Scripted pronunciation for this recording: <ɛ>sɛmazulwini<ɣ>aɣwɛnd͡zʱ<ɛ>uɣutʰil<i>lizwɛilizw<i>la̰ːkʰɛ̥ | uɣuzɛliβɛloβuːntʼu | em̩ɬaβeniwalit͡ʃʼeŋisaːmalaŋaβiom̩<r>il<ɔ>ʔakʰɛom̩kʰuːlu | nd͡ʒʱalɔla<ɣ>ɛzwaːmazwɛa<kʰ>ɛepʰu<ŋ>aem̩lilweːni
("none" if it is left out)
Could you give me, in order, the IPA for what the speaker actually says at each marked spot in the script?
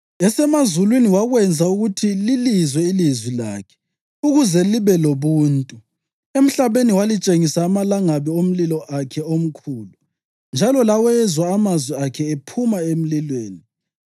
ɛ, w, a, i, i, l, ɔ, w, kʰ, m

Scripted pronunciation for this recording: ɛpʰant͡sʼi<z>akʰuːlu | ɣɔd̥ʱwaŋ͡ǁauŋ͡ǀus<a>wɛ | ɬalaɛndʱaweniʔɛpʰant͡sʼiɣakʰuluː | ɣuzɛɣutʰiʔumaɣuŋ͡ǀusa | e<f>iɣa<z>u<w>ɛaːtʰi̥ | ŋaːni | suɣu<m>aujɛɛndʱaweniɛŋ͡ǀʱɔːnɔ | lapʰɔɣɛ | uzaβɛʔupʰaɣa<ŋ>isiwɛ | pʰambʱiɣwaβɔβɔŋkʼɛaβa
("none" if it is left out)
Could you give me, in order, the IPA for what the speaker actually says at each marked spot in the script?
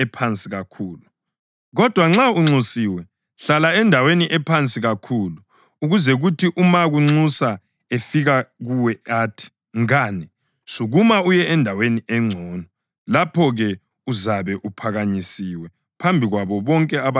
ɣ, i, f, ɣ, w, m, ɲ

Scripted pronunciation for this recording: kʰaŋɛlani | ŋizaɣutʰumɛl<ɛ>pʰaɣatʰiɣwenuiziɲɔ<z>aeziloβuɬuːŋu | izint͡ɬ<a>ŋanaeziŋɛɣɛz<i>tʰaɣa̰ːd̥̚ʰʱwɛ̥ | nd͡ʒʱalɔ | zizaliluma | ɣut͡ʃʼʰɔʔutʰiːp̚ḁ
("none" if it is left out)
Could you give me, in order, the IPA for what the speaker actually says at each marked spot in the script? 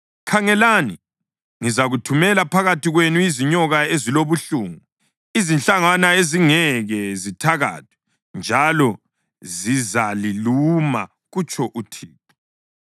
a, ɣ, a, i

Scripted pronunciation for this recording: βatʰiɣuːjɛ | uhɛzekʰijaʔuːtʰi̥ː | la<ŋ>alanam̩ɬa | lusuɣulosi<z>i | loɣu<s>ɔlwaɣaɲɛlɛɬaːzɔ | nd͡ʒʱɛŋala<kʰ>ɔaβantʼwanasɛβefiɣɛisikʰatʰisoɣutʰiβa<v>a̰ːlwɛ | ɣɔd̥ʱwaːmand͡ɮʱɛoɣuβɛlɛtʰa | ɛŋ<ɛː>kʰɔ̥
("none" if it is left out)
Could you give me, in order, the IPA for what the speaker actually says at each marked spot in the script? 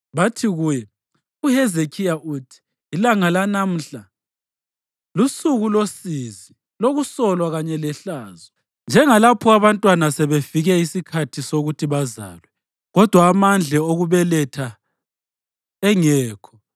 ŋ, z, s, pʰ, z, ɛː

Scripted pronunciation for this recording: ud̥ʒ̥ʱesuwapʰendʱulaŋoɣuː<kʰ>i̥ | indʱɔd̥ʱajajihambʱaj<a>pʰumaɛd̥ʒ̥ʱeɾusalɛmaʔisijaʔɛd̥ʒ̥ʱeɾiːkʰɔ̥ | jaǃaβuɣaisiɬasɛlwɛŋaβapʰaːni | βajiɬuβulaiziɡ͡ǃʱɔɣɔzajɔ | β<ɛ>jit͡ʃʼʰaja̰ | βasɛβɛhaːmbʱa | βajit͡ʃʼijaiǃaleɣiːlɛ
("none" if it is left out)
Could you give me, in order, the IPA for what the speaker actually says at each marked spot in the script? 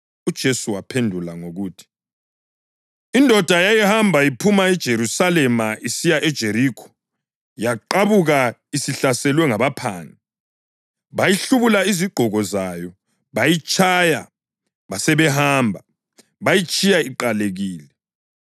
tʰ, i, a

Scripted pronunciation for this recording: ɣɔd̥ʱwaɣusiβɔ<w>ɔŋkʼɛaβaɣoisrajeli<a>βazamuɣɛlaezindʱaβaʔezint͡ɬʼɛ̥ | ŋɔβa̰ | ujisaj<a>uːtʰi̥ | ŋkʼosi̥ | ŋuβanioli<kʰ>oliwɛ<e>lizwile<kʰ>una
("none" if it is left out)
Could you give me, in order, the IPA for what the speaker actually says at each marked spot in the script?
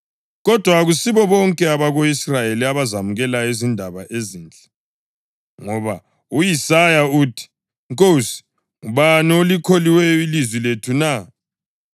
β, a, a, kʰ, i, tʰ

